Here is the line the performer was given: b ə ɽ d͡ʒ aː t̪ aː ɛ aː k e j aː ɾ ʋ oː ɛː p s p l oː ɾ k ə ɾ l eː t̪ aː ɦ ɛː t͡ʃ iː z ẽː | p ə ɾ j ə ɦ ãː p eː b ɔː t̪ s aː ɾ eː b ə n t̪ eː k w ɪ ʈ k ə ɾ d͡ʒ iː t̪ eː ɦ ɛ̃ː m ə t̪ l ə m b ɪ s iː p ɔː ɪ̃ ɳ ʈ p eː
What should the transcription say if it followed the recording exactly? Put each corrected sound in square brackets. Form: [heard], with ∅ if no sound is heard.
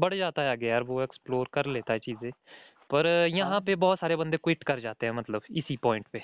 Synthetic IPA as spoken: b ə ɽ d͡ʒ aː t̪ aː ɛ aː [ɡ] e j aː ɾ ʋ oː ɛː [k] s p l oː ɾ k ə ɾ l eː t̪ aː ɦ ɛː t͡ʃ iː z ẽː | p ə ɾ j ə ɦ ãː p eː b ɔː t̪ s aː ɾ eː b ə n [d̪] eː k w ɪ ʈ k ə ɾ d͡ʒ [aː] t̪ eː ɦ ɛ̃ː m ə t̪ l ə [∅] b ɪ s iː p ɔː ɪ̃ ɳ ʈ p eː